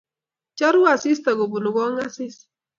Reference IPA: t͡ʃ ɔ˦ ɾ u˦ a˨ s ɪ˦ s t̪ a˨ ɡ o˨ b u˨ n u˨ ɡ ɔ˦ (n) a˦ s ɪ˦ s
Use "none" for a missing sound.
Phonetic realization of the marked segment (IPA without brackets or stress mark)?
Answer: ŋ